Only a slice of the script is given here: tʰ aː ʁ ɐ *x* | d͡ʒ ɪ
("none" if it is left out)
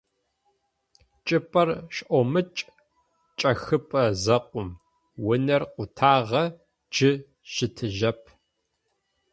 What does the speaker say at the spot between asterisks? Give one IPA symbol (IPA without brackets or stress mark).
none